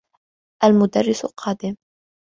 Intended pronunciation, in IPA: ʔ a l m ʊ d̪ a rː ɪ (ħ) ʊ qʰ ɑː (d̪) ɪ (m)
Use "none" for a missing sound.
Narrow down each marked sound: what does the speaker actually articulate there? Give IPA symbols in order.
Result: s, d̪, m

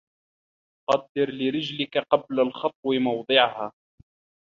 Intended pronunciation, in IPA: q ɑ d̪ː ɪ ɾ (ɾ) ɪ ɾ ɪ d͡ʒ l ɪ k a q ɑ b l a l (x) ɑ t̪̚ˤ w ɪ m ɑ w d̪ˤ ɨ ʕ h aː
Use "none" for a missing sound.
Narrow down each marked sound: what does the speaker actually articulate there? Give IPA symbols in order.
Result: l, x

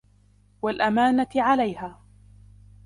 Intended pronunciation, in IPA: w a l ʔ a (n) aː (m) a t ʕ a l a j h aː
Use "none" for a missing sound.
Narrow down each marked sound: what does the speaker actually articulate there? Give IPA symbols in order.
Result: m, n

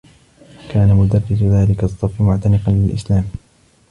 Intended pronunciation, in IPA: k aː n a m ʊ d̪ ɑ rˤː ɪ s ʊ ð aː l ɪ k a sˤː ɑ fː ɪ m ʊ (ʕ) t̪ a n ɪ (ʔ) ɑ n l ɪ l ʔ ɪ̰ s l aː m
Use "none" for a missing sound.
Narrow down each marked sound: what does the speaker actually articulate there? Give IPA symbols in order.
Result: ʕ, q

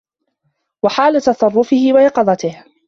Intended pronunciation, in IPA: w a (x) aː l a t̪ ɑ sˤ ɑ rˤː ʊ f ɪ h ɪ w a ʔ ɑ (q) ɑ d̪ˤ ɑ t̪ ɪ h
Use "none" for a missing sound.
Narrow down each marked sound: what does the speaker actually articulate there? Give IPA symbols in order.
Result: ħ, q

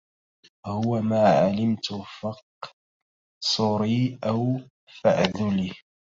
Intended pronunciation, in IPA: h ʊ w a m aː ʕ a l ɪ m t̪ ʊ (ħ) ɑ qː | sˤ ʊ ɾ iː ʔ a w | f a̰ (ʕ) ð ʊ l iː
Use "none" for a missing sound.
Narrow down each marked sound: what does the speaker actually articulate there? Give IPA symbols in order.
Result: f, ʕ

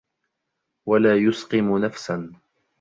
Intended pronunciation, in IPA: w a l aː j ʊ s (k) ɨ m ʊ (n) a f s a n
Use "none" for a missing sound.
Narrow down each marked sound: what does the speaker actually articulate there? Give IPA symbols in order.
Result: q, n

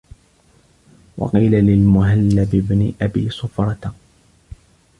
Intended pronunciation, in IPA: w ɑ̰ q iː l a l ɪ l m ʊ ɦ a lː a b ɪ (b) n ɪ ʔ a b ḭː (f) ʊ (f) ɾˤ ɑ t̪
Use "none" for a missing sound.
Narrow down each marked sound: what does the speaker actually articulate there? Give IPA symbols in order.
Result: b, s, f

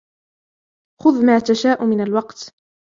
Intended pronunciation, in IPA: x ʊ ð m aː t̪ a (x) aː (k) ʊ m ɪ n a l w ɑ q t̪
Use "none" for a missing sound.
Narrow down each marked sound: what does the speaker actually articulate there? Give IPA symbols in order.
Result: ʃ, ʔ

